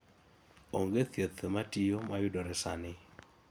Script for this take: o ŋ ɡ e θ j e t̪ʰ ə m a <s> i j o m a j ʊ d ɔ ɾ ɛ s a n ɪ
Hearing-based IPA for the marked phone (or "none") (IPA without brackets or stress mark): t